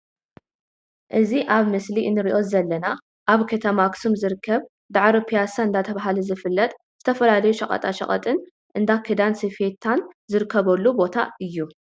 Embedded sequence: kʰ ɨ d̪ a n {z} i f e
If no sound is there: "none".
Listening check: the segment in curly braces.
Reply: s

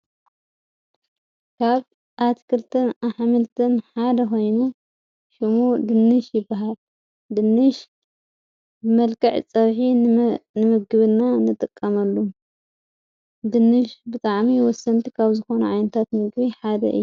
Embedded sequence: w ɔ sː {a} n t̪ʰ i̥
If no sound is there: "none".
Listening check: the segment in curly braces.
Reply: ɐ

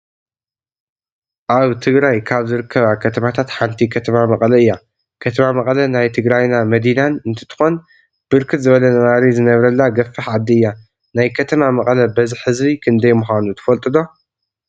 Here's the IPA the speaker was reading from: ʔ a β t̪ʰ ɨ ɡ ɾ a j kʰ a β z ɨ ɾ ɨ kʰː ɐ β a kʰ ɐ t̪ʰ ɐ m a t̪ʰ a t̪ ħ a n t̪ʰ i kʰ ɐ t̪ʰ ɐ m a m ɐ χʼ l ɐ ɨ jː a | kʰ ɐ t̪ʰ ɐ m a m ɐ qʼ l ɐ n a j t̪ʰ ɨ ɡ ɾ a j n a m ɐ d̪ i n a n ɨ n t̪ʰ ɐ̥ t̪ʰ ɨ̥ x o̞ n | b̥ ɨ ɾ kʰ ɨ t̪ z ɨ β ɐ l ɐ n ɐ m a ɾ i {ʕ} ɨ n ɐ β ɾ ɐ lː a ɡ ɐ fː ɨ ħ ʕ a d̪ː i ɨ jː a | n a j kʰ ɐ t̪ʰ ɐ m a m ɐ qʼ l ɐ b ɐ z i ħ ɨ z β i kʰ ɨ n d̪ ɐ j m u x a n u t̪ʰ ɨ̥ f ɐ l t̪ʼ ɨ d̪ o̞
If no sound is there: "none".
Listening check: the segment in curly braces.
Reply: z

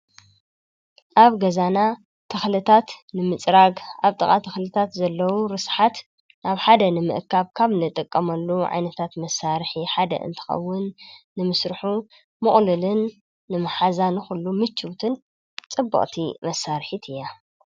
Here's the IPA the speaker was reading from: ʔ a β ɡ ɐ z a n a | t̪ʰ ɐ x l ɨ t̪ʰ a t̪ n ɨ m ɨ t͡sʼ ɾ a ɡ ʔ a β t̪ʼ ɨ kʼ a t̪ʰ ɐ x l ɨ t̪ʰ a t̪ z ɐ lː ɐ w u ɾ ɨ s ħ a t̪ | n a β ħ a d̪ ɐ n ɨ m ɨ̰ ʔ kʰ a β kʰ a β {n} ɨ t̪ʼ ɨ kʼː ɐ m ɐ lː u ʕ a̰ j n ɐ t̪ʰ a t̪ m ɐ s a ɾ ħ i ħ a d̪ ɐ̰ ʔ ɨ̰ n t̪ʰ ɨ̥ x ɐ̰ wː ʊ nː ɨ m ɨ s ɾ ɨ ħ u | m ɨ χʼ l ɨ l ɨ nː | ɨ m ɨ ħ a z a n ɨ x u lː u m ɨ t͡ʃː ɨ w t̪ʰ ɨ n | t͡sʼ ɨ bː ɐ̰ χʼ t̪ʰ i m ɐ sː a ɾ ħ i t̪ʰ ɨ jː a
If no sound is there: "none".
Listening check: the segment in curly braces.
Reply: n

